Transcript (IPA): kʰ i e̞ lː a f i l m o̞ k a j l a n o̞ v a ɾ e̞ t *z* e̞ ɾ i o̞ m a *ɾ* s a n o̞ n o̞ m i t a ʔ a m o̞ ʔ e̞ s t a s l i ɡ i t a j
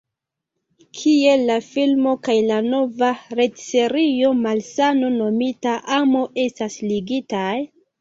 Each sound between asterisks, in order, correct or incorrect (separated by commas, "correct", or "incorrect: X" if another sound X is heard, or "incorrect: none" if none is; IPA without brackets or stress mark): incorrect: s, incorrect: l